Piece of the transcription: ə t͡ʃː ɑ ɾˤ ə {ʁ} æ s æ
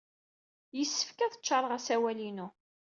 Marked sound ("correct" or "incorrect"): correct